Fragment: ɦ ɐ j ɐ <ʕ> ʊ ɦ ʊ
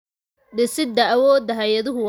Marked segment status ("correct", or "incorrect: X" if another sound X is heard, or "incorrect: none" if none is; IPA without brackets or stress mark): incorrect: ð